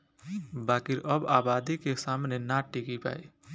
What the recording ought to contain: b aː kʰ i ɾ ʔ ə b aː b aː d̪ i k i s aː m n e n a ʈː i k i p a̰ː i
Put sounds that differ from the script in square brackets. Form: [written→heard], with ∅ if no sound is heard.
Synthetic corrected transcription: b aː [kʰ→k] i ɾ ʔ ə b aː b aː d̪ i k [i→e] s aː m n e n a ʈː i k i p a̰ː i

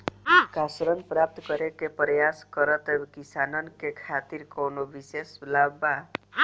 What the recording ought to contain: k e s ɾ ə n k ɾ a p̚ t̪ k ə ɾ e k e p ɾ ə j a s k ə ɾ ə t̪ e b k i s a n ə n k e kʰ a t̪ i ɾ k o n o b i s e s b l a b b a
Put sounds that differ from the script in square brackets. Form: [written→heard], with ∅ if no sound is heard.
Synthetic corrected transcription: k [e→a] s ɾ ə n [k→p] ɾ a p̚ t̪ k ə ɾ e k e p ɾ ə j a s k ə ɾ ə t̪ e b k i s a n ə n k e kʰ a t̪ i ɾ k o n o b i s e s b l a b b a

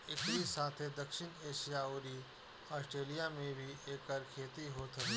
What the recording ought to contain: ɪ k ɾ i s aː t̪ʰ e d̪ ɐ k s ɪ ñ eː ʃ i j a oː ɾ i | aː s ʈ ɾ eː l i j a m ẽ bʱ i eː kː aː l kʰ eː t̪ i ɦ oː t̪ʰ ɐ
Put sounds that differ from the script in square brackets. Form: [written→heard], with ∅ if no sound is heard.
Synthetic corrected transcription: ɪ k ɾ i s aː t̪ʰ e d̪ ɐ k [s→ʃ] ɪ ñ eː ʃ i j a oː ɾ i | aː s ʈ ɾ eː l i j a m ẽ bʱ i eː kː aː [l→ɾ] kʰ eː t̪ i ɦ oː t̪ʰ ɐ

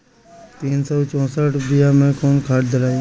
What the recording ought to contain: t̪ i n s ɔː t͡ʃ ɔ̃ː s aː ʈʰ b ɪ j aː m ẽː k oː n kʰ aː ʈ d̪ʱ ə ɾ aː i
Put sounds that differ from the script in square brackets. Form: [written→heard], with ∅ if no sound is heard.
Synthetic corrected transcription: t̪ [i→iː] n s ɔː t͡ʃ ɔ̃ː s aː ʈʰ b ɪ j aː m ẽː k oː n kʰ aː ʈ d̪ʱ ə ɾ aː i

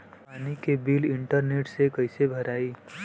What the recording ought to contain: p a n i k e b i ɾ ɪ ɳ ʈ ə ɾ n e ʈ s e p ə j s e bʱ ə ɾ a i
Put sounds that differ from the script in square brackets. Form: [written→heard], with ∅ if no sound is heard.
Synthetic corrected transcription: p a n i k e b i [ɾ→l] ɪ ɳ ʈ ə ɾ n e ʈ s e [p→k] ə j s e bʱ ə ɾ a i

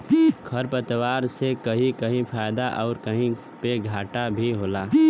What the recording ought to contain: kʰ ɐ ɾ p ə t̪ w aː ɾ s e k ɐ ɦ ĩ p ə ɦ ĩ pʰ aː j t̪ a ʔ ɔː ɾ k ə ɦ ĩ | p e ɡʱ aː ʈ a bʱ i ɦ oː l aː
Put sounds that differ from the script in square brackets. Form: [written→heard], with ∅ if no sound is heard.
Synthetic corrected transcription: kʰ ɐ ɾ p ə t̪ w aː ɾ s e k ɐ ɦ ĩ [p→k] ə ɦ ĩ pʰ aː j [t̪→d̪] a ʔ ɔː ɾ k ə ɦ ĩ | p e ɡʱ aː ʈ a bʱ i ɦ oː l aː

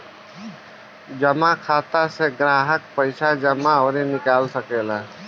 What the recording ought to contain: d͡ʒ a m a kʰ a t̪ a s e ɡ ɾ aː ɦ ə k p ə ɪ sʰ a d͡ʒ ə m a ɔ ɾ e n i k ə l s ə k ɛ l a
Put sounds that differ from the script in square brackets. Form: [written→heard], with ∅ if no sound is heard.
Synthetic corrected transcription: d͡ʒ [a→ə] m a kʰ a t̪ a s e ɡ ɾ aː ɦ ə k p ə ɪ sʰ a d͡ʒ ə m a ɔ ɾ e n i k [ə→a] l s ə k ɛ l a

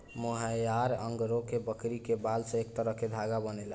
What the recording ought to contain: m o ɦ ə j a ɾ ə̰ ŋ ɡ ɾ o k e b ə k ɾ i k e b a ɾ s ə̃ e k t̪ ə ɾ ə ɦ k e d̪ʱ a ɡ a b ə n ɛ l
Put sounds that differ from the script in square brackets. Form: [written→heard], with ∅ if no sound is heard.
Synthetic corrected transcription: m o ɦ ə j a ɾ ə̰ ŋ ɡ ɾ o k e b ə k ɾ i k e b a [ɾ→l] s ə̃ e k t̪ ə ɾ ə ɦ k e d̪ʱ a ɡ a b ə n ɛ l

